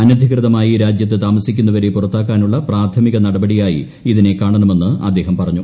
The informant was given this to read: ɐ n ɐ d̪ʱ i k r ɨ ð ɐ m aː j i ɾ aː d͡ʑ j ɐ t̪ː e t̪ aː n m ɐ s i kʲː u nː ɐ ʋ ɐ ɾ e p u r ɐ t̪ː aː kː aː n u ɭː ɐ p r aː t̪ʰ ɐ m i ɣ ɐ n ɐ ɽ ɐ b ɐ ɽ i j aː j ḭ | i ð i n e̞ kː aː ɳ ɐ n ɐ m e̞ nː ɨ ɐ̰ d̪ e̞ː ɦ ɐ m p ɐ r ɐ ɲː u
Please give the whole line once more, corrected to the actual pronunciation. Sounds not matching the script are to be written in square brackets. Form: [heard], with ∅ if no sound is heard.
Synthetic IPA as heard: ɐ n ɐ d̪ʱ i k r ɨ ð ɐ m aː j i ɾ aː d͡ʑ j ɐ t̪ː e t̪ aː [∅] m ɐ s i kʲː u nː ɐ ʋ ɐ ɾ e p u r ɐ t̪ː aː kː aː n u ɭː ɐ p r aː t̪ʰ ɐ m i ɣ ɐ n ɐ ɽ ɐ b ɐ ɽ i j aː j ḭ | i ð i n e̞ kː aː ɳ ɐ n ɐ m e̞ nː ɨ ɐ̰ [d̪ː] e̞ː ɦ ɐ m p ɐ r ɐ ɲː u